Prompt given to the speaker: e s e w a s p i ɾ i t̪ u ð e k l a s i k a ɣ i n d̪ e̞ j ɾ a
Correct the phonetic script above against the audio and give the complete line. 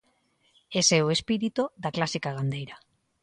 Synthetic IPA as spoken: e s e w e s p i ɾ i t̪ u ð a k l a s i k a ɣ a n d̪ e̞ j ɾ a